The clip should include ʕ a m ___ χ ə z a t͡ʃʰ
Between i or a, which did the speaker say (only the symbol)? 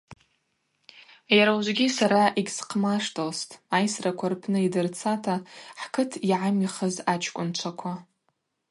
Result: i